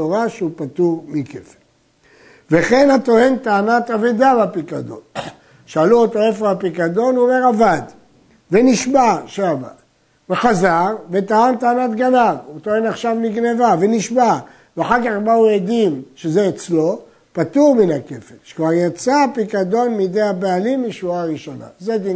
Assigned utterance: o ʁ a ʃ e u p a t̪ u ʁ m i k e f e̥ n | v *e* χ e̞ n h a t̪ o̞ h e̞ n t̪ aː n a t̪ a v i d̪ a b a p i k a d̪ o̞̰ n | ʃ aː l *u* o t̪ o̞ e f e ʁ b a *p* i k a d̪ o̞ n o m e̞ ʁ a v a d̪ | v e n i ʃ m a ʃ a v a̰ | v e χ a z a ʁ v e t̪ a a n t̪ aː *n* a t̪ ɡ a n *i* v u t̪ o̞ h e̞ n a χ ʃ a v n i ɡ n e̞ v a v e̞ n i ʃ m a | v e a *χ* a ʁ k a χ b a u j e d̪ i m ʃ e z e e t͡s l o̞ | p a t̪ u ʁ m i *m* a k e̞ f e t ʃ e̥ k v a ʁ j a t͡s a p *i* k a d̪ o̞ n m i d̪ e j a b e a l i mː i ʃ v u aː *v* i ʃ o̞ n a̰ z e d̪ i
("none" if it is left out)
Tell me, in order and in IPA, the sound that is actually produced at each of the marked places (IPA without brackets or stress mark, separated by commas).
e, u, p, n, a, ħ, n, i, ʁ